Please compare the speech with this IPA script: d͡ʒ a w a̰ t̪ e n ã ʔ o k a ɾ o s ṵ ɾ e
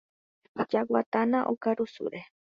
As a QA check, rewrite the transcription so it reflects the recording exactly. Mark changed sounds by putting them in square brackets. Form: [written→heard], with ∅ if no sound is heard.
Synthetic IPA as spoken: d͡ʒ a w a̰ t̪ [e→a] n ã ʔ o k a ɾ [o→u] s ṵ ɾ e